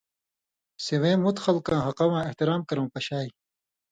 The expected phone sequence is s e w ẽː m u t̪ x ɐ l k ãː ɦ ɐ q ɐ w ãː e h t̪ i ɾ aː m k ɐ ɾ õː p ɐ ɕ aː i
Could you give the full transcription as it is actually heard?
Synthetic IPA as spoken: s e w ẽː m u t̪ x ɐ l k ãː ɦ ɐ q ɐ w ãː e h t̪ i ɾ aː m k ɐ ɾ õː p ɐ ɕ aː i